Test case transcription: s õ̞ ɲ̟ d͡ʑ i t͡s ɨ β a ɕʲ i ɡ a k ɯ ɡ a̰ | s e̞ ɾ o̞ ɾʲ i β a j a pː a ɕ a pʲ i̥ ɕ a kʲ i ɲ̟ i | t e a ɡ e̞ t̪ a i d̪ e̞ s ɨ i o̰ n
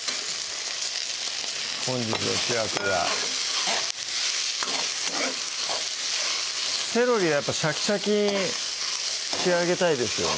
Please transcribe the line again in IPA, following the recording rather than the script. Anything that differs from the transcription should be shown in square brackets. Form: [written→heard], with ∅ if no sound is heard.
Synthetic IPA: [s→h] õ̞ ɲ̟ d͡ʑ i t͡s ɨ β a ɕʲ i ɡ a k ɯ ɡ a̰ | s e̞ ɾ o̞ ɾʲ i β a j a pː a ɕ a [pʲ→kʲ] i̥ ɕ a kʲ i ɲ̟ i | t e a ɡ e̞ t̪ a i d̪ e̞ s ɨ [i→j] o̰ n